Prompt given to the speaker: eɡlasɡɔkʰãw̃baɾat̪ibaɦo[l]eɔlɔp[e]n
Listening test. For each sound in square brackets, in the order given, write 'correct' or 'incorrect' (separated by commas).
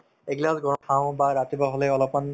correct, incorrect